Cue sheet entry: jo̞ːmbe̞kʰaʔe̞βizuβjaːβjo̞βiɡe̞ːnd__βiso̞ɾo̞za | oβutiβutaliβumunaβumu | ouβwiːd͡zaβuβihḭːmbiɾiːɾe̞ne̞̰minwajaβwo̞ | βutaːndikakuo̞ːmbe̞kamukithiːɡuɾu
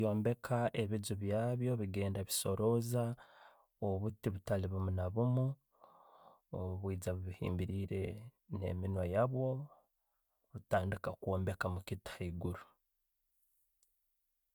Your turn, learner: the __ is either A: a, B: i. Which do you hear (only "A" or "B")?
A